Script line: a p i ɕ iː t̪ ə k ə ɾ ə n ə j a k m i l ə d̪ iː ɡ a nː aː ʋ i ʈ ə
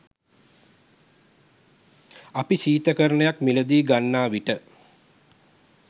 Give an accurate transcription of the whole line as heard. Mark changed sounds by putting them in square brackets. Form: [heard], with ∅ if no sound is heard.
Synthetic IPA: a p i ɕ iː t̪ ə k ə ɾ ə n ə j a k m i l ə d̪ iː ɡ a nː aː ʋ i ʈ ə